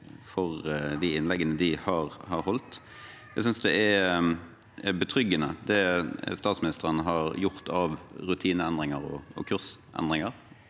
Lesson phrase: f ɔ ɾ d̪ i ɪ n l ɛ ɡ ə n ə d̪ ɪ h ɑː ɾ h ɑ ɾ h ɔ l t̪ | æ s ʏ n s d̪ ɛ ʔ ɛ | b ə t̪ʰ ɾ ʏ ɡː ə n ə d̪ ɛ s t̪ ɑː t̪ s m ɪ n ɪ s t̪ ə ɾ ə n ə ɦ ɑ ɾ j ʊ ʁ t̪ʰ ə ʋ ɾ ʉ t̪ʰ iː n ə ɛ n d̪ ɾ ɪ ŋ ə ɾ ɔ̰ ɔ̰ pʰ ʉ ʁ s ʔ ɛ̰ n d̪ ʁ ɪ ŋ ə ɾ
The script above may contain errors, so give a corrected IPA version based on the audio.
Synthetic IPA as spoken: f ɔ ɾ d̪ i ɪ n l ɛ ɡ ə n ə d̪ ɪ h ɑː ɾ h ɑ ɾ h ɔ l t̪ | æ s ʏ n s d̪ ɛ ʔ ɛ | b ə t̪ʰ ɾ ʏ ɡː ə n ə d̪ ɛ s t̪ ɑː t̪ s m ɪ n ɪ s t̪ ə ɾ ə n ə ɦ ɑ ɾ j ʊ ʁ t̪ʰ ɑ ʋ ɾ ʉ t̪ʰ iː n ə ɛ n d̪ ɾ ɪ ŋ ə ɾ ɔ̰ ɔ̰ kʰ ʉ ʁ s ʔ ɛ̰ n d̪ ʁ ɪ ŋ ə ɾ